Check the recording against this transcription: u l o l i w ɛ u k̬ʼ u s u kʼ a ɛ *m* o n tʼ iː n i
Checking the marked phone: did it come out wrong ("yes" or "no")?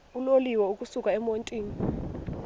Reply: no